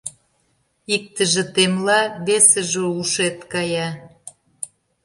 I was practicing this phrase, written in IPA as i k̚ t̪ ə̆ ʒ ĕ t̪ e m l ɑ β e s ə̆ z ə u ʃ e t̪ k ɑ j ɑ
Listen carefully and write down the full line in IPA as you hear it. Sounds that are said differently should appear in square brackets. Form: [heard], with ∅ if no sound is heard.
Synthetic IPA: i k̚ t̪ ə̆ ʒ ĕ t̪ e m l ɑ β e s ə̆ [ʒ] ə u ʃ e t̪ k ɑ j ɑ